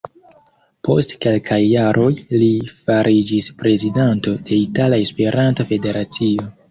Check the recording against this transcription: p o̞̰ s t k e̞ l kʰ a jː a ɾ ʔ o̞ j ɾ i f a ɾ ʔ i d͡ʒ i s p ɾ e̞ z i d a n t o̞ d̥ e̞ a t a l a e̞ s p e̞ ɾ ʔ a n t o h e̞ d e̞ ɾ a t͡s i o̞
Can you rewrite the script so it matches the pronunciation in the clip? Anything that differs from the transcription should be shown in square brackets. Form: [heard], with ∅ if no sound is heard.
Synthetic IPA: p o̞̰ s t k e̞ l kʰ a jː a ɾ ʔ o̞ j [l] i f a ɾ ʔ i d͡ʒ i s p ɾ e̞ z i d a n t o̞ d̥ e̞ [i] t a l a e̞ s p e̞ ɾ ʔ a n t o [f] e̞ d e̞ ɾ a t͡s i o̞